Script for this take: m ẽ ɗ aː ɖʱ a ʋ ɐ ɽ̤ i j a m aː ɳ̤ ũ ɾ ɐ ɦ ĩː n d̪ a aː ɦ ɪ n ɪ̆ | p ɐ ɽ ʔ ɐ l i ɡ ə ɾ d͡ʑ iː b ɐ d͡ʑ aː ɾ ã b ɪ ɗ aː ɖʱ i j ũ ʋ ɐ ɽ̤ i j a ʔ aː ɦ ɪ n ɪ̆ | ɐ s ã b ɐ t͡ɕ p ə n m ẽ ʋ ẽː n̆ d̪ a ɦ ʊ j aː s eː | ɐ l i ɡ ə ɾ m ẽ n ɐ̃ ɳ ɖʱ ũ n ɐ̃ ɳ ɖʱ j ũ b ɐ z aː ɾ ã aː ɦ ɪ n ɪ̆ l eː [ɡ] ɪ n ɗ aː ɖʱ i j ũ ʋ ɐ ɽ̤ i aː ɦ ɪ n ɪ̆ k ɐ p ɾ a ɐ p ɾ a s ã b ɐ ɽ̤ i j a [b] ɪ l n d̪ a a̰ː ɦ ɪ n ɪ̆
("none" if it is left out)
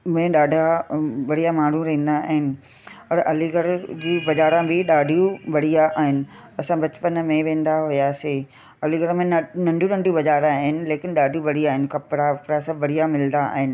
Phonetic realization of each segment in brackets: k, m

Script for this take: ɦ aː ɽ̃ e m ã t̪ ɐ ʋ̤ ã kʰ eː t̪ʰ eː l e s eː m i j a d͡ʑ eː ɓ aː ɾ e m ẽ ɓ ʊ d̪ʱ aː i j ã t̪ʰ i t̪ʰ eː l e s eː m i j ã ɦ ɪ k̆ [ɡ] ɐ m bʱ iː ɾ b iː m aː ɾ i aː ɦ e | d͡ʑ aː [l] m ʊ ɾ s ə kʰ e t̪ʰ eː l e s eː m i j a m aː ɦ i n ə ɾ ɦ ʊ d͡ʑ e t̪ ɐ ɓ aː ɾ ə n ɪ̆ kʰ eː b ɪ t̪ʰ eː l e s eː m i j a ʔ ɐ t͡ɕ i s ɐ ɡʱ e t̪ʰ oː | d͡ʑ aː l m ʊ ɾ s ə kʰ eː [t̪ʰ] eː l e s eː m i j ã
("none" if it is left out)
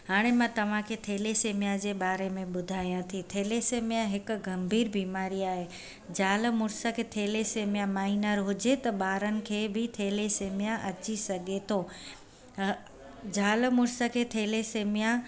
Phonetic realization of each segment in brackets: ɡ, l, t̪ʰ

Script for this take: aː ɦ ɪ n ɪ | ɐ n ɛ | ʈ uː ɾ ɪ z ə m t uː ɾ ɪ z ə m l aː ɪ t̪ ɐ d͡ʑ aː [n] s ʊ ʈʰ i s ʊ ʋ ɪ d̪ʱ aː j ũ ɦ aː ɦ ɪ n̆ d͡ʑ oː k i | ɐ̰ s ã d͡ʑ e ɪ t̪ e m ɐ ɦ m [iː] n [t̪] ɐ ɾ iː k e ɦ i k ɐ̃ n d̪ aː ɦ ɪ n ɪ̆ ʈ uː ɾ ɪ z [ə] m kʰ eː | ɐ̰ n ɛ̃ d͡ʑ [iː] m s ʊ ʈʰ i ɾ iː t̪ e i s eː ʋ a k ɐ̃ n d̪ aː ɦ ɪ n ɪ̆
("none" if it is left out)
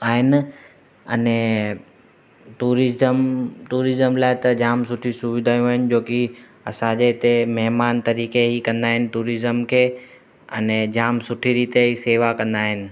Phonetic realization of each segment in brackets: m, aː, t̪, ə, aː

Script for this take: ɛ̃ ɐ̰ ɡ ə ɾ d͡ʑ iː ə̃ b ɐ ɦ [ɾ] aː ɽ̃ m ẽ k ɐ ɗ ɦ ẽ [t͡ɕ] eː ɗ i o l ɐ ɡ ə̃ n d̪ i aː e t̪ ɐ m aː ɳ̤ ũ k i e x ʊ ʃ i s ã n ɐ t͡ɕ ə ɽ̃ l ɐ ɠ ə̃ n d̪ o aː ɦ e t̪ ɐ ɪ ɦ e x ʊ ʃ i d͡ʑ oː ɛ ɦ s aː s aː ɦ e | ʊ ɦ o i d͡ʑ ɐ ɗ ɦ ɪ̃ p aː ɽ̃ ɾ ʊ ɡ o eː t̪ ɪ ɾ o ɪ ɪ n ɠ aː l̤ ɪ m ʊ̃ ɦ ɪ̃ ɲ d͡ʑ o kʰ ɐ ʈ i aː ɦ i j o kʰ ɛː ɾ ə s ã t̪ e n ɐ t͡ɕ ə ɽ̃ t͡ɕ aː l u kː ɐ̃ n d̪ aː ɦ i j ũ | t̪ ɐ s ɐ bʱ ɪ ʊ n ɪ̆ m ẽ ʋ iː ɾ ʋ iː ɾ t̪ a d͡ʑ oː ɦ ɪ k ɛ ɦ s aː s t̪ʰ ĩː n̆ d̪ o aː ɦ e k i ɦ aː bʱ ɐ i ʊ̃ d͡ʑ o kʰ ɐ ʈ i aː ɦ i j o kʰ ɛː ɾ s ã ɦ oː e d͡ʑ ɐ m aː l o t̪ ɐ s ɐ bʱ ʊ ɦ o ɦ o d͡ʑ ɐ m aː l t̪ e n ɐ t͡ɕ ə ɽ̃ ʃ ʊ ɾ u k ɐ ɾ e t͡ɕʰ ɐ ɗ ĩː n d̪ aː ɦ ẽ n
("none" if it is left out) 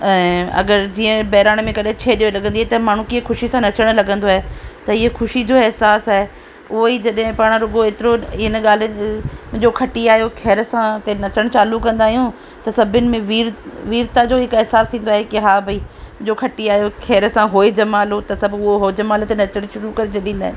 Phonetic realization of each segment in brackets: ɾ, t͡ɕʰ

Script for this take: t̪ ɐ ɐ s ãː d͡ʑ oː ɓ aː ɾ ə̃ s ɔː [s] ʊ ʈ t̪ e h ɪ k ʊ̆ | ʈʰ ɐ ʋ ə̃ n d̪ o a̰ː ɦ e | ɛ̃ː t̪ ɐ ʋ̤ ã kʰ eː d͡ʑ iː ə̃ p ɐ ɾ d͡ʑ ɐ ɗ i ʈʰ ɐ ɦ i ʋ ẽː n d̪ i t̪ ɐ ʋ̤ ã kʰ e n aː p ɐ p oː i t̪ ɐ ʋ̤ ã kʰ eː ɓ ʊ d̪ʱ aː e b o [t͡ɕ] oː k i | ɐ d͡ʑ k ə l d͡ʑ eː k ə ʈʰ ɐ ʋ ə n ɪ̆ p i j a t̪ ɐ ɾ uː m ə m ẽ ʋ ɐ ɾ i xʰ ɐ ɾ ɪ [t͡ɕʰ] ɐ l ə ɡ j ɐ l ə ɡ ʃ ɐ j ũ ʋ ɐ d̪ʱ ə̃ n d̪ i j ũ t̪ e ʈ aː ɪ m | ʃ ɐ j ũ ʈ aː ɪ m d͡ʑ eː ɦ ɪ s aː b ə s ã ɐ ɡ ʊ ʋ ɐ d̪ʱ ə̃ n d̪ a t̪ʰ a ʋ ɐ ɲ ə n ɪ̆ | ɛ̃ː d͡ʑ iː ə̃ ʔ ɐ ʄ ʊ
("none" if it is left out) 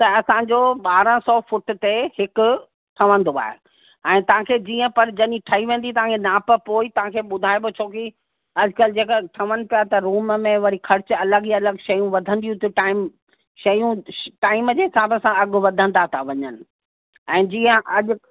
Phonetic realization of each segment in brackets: f, t͡ɕʰ, t͡ɕ

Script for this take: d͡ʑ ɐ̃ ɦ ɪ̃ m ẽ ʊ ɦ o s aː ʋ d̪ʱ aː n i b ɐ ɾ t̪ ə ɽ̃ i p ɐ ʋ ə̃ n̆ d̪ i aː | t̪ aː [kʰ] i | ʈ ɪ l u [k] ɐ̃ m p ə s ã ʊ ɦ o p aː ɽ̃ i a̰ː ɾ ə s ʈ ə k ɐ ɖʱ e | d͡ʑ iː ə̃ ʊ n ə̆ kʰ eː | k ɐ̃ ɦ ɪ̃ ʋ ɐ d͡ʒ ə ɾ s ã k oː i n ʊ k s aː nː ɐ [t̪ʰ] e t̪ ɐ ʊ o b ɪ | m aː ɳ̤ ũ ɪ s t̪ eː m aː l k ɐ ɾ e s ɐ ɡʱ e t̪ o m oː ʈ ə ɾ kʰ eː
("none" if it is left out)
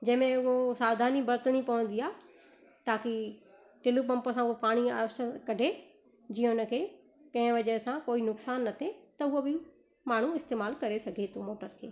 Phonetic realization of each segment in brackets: k, p, t̪ʰ

